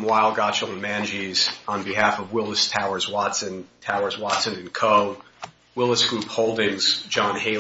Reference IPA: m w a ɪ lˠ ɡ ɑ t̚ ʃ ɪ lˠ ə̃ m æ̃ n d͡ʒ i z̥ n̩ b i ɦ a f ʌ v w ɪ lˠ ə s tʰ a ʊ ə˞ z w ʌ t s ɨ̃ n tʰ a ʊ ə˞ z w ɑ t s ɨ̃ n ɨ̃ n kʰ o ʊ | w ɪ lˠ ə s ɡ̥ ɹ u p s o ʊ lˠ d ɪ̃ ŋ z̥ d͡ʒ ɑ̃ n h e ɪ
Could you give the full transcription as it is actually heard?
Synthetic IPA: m w a ɪ lˠ ɡ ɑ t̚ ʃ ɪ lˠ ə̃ m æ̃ n d͡ʒ i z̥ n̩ b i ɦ æ f ʌ v w ɪ lˠ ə s tʰ a ʊ ə˞ z w ɑ t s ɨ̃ n tʰ a ʊ ə˞ z w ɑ t s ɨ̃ n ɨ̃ n kʰ o ʊ | w ɪ lˠ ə s ɡ̥ ɹ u p h o ʊ lˠ d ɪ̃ ŋ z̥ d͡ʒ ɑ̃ n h e ɪ

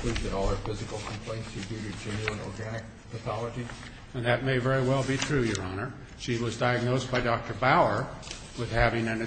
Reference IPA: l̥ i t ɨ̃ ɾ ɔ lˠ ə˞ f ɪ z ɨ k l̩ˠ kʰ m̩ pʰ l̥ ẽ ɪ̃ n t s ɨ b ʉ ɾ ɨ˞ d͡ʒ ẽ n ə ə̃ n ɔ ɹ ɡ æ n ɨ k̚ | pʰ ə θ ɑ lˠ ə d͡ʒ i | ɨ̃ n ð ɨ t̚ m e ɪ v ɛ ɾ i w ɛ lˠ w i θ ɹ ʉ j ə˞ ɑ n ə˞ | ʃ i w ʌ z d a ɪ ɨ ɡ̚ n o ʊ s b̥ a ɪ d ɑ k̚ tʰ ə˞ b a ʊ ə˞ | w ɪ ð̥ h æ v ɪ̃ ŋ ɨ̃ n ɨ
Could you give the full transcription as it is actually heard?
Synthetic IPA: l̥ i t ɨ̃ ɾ ɔ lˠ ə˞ f ɪ z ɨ k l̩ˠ kʰ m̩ pʰ l̥ ẽ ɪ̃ n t s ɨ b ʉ ɾ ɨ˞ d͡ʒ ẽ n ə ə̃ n ɔ ɹ ɡ æ n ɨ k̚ | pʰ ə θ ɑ lˠ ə d͡ʒ i | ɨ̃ n ð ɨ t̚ m e ɪ v ɛ ɹ i w ɛ lˠ b i θ ɹ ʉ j ə˞ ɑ n ə˞ | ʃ i w ʌ z d a ɪ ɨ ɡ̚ n o ʊ s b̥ a ɪ d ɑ k̚ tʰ ə˞ b a ʊ ə˞ | w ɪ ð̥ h æ v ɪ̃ ŋ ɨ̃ n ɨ

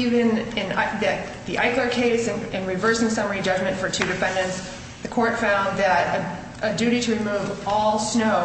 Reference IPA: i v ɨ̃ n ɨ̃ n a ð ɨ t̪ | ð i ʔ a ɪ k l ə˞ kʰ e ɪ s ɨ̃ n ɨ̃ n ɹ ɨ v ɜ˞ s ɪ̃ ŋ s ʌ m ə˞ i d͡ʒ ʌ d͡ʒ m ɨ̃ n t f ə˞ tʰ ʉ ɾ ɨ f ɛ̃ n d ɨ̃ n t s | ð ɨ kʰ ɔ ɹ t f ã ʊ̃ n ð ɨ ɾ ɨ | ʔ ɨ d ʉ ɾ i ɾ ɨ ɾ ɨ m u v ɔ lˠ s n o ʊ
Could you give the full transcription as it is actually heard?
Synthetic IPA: i v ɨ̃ n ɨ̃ n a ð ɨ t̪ | ð i ʔ a ɪ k l ə˞ kʰ e ɪ s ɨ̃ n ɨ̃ n ɹ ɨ v ɜ˞ s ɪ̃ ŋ s ʌ m ə˞ i d͡ʒ ʌ d͡ʒ m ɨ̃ n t f ə˞ tʰ ʉ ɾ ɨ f ɛ̃ n d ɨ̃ n t s | ð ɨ kʰ ɔ ɹ t f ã ʊ̃ n ð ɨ ɾ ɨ | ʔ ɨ d ʉ ɾ i ɾ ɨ ɹ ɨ m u v ɔ lˠ s n o ʊ

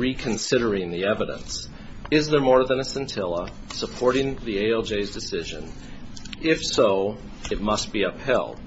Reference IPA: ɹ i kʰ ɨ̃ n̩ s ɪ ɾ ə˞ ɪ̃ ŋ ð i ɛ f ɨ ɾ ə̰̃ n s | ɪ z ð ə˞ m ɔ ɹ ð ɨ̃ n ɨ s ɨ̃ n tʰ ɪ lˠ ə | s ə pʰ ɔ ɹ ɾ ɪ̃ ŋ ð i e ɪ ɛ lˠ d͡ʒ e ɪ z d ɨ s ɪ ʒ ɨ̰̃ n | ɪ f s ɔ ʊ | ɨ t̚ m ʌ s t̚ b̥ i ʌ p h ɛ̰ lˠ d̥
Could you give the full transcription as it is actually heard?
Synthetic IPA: ɹ i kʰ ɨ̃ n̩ s ɪ ɾ ə˞ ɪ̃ ŋ ð i ɛ v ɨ ɾ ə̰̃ n s | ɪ z ð ə˞ m ɔ ɹ ð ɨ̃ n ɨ s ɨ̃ n tʰ ɪ lˠ ə | s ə pʰ ɔ ɹ ɾ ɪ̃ ŋ ð i e ɪ ɛ lˠ d͡ʒ e ɪ z d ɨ s ɪ ʒ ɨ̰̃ n | ɪ f s o ʊ | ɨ t̚ m ʌ s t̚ b̥ i ʌ p h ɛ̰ lˠ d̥

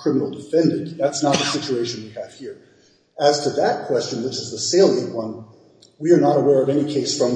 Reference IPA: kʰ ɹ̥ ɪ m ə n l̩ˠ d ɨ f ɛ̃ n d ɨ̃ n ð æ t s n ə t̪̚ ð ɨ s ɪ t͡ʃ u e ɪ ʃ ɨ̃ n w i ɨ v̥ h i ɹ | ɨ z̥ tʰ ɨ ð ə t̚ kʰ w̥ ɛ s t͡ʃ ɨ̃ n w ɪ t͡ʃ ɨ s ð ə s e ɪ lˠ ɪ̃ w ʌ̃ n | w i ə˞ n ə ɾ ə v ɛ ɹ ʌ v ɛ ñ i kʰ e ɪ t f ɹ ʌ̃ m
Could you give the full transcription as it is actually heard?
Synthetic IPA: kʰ ɹ̥ ɪ m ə n l̩ˠ d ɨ f ɛ̃ n d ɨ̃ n ð æ t s n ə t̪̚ ð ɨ s ɪ t͡ʃ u e ɪ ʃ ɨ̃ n w i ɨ v̥ h i ɹ | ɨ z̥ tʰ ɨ ð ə t̚ kʰ w̥ ɛ s t͡ʃ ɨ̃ n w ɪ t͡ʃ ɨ z ð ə s e ɪ lˠ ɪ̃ w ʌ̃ n | w i ə˞ n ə ɾ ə w ɛ ɹ ʌ v ɛ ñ i kʰ e ɪ s f ɹ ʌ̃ m

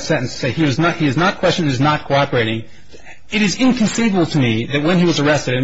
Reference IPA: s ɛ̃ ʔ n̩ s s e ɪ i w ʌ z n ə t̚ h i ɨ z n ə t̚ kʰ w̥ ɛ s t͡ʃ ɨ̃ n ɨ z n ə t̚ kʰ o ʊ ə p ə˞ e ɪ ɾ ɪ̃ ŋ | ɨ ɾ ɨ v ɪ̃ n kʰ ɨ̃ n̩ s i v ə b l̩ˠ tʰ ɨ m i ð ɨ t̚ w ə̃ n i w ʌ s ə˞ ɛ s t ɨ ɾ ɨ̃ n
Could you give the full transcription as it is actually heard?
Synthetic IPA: s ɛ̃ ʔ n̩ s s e ɪ i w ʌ z n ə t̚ h i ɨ z n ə t̚ kʰ w̥ ɛ s t͡ʃ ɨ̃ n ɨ z n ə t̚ kʰ o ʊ ɑ p ə˞ e ɪ ɾ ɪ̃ ŋ | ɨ ɾ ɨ z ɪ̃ n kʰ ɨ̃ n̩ s i v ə b l̩ˠ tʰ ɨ m i ð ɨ t̚ w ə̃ n i w ʌ z ə˞ ɛ s t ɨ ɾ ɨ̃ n

